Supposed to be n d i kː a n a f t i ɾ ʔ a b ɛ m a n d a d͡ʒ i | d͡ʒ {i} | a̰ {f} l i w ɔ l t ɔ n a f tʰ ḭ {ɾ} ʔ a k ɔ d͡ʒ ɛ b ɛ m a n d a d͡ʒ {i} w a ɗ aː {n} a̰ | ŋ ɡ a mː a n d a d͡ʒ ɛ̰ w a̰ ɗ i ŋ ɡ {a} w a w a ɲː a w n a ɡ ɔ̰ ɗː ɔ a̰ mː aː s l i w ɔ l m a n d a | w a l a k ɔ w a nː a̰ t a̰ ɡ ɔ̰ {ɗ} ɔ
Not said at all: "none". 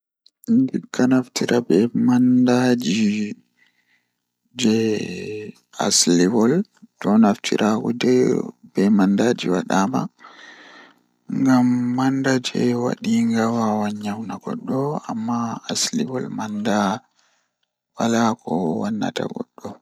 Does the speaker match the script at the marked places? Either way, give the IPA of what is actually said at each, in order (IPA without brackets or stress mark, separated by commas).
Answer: ɛ, s, ɾ, i, m, a, ɗː